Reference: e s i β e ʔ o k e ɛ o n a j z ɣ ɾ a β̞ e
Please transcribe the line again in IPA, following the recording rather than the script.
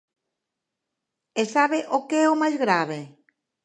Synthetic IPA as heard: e s a β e ʔ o k e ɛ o m a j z ɣ ɾ a β̞ e